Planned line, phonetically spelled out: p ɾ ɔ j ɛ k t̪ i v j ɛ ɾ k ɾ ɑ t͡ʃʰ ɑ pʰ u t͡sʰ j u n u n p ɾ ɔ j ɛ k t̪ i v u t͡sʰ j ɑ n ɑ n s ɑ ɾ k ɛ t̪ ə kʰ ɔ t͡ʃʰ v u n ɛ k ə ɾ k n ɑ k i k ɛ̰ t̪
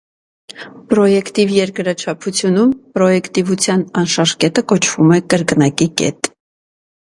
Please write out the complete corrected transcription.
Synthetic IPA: p ɾ ɔ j ɛ k t̪ i v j ɛ ɾ k ɾ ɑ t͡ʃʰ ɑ pʰ u t͡sʰ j u n u m p ɾ ɔ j ɛ k t̪ i v u t͡sʰ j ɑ n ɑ n ʃ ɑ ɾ k ɛ t̪ ə k ɔ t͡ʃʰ v u m ɛ k ə ɾ k n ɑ k i k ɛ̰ t̪